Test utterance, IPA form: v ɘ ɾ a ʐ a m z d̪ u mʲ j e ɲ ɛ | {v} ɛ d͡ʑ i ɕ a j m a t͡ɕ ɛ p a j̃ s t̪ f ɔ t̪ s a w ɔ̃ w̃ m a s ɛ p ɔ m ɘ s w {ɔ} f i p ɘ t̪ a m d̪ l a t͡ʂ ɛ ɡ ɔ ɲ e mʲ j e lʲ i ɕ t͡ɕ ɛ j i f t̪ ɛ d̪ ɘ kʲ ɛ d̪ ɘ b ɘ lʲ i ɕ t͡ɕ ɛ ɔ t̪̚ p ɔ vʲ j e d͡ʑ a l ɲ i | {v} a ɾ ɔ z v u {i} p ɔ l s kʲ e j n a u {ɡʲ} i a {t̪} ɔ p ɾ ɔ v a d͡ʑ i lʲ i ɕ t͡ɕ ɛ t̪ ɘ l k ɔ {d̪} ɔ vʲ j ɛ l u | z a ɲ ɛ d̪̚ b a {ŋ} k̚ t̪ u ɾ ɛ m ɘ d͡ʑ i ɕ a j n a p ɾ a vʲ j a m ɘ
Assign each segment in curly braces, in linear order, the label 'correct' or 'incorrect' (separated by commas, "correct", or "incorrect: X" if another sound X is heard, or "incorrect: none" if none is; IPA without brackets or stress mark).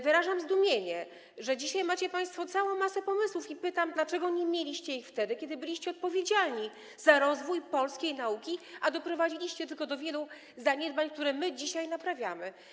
incorrect: ʐ, incorrect: u, incorrect: z, incorrect: j, incorrect: kʲ, incorrect: d̪, correct, incorrect: ɲ